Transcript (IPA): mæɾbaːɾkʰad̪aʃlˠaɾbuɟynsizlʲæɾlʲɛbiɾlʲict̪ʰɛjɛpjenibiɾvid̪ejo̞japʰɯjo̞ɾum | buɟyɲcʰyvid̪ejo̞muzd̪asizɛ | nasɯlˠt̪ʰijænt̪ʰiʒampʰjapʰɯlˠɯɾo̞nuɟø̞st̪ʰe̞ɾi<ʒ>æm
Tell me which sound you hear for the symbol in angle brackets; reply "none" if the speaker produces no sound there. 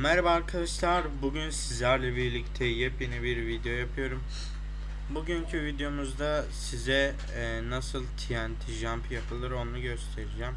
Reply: d͡ʒ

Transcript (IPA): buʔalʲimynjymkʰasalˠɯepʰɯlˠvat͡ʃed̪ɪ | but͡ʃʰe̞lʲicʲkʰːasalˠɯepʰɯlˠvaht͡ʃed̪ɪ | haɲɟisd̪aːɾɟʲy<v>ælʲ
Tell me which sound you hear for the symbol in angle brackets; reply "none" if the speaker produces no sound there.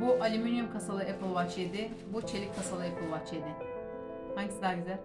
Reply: z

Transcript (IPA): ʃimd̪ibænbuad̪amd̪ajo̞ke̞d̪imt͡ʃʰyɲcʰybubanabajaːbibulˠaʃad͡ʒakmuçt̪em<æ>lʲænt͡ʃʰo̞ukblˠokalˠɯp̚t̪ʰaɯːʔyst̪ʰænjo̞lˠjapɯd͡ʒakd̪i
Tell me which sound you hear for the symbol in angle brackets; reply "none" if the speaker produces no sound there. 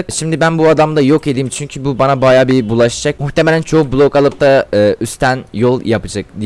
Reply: e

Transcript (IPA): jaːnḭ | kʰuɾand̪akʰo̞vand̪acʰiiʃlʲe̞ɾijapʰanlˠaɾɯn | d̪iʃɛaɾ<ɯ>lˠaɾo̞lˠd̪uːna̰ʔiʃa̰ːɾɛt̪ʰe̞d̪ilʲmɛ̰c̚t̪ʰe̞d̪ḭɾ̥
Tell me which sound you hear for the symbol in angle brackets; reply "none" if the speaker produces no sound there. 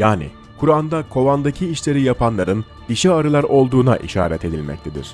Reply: ɯ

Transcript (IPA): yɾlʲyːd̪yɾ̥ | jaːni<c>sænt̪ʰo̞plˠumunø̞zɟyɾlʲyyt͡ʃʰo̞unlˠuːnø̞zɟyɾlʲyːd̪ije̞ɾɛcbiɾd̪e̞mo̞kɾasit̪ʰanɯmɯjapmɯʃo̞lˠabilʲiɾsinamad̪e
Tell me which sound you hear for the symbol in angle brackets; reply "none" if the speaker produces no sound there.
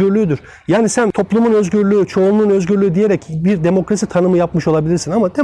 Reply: none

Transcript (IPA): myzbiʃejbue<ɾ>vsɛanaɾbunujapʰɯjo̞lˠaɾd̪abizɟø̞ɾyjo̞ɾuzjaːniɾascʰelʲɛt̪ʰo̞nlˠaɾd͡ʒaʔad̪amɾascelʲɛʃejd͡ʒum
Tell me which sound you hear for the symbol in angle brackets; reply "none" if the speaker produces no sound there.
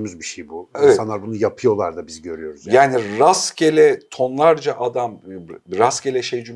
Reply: none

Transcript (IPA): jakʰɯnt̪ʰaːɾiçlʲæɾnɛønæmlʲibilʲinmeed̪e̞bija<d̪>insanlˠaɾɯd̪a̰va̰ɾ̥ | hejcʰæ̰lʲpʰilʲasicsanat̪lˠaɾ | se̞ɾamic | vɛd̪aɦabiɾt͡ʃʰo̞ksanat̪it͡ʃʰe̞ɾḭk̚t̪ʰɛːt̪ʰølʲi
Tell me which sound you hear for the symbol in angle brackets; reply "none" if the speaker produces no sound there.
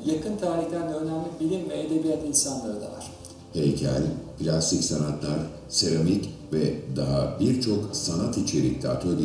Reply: t̪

